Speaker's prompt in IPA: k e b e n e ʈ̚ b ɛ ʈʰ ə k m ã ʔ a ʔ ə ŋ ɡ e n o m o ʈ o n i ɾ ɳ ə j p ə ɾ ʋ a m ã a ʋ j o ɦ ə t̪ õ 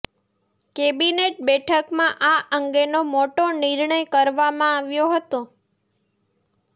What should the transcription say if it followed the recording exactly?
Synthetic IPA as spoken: k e b i n e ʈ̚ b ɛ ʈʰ ə k m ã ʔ a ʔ ə ŋ ɡ e n o m o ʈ o n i ɾ ɳ ə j k ə ɾ ʋ a m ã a ʋ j o ɦ ə t̪ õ